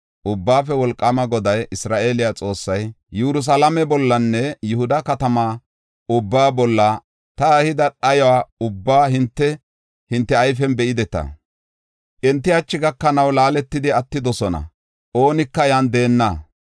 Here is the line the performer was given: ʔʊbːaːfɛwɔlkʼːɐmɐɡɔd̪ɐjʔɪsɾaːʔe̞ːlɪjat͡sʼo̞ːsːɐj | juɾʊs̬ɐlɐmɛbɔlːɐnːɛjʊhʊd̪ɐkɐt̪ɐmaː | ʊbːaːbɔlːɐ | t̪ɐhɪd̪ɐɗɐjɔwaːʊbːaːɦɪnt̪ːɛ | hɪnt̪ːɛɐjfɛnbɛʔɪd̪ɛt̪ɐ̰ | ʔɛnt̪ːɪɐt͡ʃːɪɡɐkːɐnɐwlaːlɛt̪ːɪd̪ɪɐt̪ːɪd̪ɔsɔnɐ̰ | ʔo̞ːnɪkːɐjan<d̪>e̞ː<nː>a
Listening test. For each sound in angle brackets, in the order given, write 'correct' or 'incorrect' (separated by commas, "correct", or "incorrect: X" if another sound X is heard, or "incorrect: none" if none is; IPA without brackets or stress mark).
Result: correct, correct